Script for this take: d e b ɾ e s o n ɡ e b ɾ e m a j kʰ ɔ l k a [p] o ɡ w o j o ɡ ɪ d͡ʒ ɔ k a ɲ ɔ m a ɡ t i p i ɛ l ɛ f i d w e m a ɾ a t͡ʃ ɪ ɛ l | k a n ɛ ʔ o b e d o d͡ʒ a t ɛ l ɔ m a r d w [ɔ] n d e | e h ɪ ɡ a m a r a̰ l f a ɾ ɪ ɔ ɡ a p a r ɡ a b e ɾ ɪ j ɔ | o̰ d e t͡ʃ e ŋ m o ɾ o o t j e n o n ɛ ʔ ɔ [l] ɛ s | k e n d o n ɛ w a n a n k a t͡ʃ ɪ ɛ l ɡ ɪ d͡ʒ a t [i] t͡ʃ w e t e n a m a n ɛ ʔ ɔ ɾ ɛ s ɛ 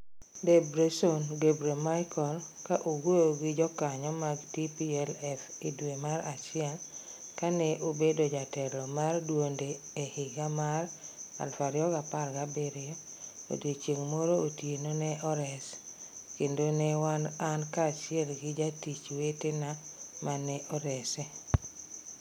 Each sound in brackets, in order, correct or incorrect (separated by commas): incorrect, incorrect, incorrect, correct